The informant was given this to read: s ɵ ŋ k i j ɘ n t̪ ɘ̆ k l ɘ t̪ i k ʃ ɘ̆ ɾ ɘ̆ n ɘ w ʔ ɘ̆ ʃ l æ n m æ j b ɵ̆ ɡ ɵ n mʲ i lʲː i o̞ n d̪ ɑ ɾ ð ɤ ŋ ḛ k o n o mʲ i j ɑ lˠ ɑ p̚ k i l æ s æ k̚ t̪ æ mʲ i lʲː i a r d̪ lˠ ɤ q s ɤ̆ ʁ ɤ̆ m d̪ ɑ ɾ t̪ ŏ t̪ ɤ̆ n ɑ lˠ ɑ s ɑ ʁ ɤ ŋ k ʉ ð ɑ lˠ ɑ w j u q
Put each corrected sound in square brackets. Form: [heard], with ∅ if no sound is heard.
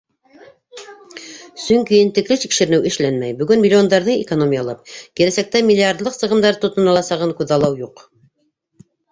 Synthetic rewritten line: s ɵ ŋ k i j ɘ n t̪ ɘ̆ k l ɘ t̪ i k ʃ ɘ̆ ɾ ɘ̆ n ɘ w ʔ ɘ̆ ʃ l æ n m æ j b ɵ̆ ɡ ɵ n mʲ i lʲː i o̞ n d̪ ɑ ɾ ð ɤ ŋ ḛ k o n o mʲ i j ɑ lˠ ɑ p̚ k i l æ s æ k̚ t̪ æ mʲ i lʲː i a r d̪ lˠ ɤ q s ɤ̆ ʁ ɤ̆ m d̪ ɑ ɾ t̪ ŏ t̪ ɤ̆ n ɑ lˠ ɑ s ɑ ʁ ɤ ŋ k ʉ ð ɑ lˠ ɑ w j u q